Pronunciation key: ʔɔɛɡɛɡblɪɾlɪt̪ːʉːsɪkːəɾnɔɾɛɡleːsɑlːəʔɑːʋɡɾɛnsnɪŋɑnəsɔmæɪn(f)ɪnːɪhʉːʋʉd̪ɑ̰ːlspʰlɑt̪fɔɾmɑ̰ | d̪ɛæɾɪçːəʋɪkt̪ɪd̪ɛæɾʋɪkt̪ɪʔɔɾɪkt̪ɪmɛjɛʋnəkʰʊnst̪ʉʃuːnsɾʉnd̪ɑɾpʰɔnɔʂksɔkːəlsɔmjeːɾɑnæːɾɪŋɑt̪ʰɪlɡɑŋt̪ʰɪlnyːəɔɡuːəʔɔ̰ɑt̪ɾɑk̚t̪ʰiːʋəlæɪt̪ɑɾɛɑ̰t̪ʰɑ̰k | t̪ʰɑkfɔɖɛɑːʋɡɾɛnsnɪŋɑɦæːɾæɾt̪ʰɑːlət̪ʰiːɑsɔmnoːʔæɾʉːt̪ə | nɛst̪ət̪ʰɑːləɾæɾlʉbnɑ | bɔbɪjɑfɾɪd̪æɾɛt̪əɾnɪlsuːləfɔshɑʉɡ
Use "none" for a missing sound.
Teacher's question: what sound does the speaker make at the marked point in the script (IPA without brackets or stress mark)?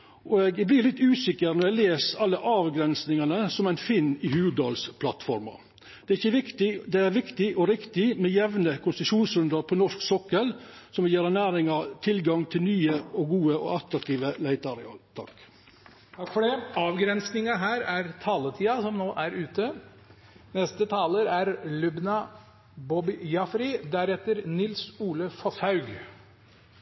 f